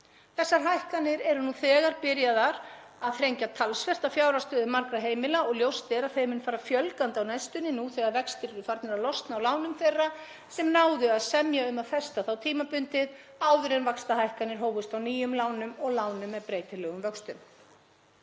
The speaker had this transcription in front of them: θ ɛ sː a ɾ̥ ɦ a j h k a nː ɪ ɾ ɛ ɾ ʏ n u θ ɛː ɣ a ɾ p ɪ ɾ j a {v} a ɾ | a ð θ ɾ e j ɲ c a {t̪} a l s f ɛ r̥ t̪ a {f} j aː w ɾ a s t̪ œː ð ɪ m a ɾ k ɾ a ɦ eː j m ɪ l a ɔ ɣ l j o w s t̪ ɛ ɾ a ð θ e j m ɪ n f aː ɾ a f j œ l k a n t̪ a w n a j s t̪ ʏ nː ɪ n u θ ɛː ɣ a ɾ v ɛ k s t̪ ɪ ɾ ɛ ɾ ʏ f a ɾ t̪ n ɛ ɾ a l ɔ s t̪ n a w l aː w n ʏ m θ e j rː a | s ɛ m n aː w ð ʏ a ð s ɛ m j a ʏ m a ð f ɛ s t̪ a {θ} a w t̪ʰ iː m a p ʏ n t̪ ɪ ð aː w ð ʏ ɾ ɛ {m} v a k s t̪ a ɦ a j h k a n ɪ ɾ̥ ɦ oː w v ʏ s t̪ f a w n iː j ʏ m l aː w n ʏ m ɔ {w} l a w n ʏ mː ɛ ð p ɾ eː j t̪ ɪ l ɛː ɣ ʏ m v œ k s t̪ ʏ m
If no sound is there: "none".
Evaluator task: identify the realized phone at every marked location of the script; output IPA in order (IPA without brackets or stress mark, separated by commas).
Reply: ð, t̪ʰ, f, θ, n, ɣ